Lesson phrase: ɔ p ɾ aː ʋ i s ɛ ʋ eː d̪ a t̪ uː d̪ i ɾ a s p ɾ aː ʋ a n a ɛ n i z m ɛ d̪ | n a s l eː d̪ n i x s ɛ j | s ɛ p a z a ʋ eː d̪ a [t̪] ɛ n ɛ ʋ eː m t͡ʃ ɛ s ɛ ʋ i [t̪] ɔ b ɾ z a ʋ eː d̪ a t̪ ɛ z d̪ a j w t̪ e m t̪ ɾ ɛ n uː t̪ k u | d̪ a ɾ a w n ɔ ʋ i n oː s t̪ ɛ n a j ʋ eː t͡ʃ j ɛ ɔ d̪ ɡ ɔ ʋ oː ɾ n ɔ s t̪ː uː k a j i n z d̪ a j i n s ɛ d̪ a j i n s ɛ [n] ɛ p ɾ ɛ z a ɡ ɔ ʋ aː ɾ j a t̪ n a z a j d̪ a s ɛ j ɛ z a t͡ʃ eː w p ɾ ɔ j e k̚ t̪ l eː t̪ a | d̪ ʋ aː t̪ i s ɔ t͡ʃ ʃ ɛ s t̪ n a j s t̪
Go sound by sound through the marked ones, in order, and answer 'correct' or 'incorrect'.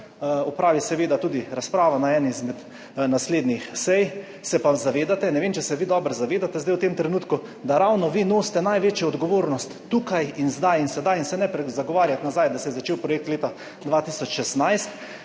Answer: correct, incorrect, correct

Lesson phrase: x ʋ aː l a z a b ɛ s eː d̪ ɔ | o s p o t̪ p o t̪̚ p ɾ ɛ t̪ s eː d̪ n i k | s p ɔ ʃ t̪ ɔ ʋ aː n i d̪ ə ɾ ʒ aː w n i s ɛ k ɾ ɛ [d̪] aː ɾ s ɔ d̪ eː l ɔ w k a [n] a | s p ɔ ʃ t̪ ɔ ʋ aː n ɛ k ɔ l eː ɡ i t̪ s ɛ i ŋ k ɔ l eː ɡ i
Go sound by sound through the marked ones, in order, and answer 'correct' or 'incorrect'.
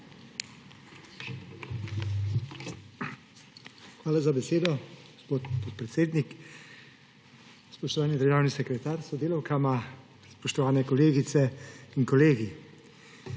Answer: incorrect, incorrect

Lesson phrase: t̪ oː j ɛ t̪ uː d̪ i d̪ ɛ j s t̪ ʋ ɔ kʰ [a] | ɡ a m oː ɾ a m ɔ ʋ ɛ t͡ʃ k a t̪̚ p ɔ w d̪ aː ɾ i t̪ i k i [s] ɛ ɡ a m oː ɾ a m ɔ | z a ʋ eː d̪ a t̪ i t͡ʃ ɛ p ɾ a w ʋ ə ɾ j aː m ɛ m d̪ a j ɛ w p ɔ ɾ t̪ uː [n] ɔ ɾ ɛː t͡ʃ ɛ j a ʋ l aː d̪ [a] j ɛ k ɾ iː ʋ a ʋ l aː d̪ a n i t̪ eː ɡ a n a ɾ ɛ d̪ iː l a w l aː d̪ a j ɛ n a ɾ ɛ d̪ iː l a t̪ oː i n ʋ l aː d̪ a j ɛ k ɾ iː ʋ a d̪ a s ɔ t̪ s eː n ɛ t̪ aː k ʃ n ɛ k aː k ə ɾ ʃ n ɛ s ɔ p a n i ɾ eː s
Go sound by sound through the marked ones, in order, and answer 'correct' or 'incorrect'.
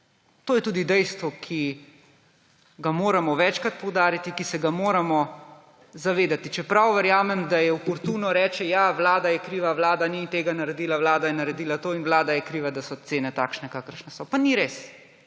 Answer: incorrect, correct, correct, correct

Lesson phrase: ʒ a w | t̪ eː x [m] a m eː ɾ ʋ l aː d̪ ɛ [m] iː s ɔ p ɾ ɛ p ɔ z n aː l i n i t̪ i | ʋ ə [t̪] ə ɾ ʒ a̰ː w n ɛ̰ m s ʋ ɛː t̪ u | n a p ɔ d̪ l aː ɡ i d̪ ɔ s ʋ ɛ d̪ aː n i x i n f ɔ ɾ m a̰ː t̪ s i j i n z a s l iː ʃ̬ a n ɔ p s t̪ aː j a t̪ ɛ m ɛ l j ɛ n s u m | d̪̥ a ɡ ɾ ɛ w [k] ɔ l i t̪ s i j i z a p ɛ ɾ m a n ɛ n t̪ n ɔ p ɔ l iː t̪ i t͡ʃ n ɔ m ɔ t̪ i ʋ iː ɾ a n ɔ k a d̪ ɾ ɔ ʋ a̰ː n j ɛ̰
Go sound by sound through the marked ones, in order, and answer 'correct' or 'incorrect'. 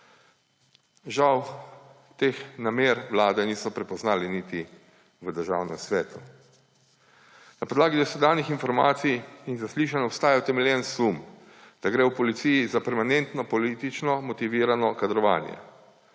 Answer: incorrect, incorrect, incorrect, incorrect

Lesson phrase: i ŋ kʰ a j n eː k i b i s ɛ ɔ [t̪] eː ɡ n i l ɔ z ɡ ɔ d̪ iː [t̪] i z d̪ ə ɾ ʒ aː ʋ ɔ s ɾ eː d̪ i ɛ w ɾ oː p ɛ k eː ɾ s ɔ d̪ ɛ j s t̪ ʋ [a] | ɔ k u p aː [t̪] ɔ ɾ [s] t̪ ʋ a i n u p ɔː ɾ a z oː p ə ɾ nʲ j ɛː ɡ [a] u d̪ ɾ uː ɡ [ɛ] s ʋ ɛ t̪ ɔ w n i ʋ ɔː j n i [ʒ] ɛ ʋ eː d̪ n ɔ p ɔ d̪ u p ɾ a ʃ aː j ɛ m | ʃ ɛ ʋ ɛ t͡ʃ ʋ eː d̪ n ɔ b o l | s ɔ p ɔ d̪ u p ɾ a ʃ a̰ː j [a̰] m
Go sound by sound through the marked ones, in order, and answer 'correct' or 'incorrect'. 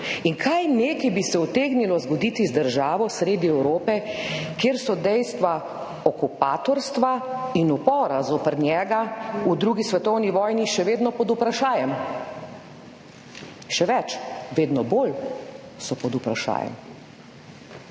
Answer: correct, correct, correct, correct, correct, correct, incorrect, incorrect, incorrect

